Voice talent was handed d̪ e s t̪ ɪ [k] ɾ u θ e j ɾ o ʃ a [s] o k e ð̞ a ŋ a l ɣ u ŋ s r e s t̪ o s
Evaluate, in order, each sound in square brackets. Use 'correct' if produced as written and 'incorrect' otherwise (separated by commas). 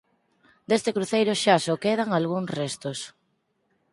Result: correct, correct